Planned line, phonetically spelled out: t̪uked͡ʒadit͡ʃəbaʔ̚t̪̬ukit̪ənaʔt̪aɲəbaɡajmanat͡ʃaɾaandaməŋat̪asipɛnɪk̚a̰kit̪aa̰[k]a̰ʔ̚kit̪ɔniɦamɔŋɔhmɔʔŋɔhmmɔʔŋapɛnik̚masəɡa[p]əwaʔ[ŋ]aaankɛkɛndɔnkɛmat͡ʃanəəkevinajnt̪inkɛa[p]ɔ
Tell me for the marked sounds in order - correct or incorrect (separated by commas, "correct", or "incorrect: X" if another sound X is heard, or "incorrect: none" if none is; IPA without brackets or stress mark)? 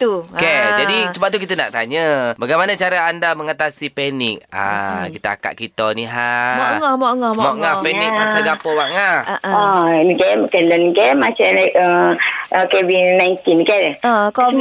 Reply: correct, correct, correct, incorrect: k